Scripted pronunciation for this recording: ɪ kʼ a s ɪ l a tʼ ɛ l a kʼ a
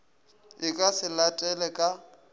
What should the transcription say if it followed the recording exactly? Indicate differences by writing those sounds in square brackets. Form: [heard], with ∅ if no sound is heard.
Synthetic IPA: ɪ kʼ a s ɪ l a tʼ ɛ l [ɛ] kʼ a